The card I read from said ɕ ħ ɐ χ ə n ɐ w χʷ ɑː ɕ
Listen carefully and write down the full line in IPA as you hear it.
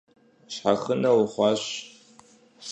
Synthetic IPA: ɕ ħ a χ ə n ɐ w χʷ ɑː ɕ